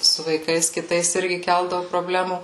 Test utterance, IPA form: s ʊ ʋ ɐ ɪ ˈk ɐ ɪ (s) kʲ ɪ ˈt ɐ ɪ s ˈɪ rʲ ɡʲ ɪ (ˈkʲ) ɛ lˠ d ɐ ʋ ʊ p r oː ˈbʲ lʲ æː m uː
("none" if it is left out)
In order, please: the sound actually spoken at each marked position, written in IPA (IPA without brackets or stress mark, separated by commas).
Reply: s, kʲ